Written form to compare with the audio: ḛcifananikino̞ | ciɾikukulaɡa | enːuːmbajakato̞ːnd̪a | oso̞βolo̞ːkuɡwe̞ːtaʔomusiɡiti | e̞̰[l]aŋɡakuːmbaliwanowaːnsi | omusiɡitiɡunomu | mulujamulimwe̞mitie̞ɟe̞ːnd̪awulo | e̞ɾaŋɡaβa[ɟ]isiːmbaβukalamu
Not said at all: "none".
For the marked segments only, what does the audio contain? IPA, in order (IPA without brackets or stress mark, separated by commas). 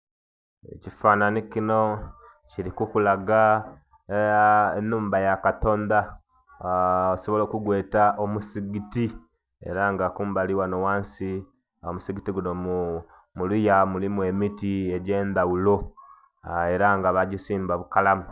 ɾ, ɟ